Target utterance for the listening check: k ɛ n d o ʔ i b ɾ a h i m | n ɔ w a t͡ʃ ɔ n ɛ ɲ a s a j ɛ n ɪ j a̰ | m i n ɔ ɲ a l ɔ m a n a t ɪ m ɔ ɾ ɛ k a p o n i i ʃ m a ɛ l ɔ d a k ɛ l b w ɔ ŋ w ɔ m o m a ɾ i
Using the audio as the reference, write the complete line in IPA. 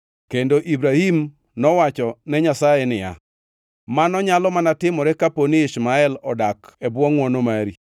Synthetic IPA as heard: k e n d o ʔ i b ɾ a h i m | n ɔ w a t͡ʃ ɔ n ɛ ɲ a s a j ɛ n ɪ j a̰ | m a n ɔ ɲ a l ɔ m a n a t ɪ m ɔ ɾ ɛ k a p o n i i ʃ m a ɛ l ɔ d a k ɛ b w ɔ ŋ w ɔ n o m a ɾ i